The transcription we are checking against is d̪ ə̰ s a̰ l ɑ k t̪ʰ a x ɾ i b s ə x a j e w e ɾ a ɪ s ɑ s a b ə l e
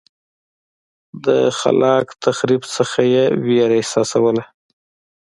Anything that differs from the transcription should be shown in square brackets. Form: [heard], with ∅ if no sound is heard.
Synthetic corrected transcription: d̪ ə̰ [x] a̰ l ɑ k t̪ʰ a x ɾ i b s ə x a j e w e ɾ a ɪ s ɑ s a [w] ə l [a]